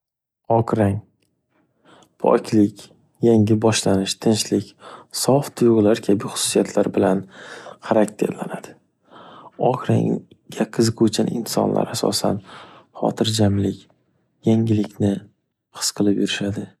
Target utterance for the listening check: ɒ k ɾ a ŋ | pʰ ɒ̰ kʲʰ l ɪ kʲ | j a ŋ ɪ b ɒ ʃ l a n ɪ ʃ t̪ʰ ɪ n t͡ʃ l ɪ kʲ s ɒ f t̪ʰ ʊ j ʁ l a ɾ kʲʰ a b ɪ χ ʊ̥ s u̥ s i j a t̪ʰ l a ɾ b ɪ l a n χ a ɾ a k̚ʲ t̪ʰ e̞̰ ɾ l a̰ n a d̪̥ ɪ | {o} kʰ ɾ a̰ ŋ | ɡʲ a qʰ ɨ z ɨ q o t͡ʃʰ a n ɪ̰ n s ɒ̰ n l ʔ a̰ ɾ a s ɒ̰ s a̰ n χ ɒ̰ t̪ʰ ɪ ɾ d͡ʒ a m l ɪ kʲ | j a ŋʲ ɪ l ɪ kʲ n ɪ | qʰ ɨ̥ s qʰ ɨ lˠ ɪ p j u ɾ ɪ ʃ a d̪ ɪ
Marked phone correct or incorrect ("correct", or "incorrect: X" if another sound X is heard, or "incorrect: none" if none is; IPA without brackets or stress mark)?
incorrect: ɒ